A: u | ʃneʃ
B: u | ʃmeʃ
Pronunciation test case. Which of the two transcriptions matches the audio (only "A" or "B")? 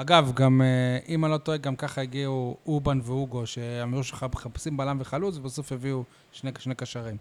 A